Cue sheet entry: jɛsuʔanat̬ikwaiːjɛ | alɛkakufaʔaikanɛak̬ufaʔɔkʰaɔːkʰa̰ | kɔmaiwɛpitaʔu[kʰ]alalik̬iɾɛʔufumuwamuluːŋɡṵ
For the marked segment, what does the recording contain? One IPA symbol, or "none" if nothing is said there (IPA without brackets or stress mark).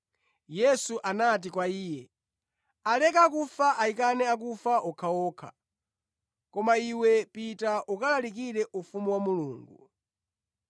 k